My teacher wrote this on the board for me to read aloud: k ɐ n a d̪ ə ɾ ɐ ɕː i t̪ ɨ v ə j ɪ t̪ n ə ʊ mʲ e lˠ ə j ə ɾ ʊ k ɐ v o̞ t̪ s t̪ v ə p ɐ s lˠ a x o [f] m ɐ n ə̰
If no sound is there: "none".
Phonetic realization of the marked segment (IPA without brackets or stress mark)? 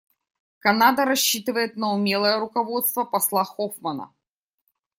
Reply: f